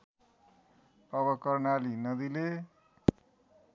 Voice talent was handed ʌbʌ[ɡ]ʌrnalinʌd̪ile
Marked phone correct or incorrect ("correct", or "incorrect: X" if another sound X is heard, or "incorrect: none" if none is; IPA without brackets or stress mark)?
incorrect: k